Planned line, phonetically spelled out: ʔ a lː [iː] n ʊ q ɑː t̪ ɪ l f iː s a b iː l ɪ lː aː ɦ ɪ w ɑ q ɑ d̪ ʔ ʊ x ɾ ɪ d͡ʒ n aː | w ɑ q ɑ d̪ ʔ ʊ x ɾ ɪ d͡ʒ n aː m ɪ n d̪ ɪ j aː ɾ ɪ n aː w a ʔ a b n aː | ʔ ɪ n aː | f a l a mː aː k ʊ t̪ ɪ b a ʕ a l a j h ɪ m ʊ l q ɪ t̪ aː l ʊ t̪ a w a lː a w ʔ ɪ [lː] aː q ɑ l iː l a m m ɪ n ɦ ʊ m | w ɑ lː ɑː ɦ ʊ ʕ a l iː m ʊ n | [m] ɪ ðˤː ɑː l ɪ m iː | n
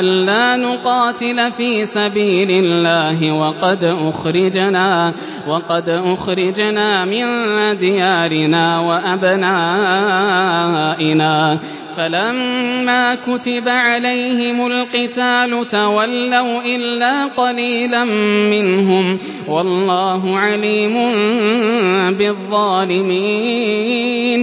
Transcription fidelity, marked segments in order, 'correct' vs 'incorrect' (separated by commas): incorrect, correct, incorrect